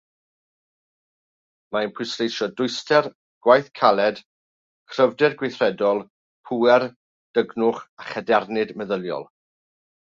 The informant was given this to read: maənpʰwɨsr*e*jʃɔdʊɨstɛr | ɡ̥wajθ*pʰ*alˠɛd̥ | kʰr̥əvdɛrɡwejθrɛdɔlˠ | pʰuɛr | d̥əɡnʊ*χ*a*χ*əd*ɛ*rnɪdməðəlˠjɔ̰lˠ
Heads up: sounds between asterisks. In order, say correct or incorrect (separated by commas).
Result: correct, incorrect, correct, correct, correct